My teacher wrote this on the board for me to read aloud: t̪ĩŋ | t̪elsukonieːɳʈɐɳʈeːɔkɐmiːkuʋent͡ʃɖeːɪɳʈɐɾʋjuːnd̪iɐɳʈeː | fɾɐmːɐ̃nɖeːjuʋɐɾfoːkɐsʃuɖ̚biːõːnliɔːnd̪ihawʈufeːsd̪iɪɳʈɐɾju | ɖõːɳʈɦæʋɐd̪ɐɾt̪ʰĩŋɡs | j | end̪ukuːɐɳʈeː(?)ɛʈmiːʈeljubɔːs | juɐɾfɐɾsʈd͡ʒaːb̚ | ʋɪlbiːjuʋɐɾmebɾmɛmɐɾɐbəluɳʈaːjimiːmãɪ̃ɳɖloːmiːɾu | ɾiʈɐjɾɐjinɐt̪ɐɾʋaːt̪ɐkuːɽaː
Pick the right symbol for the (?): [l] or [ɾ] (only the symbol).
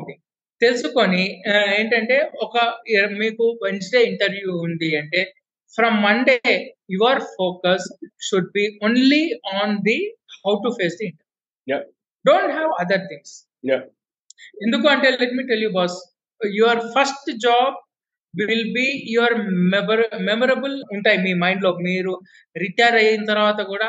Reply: l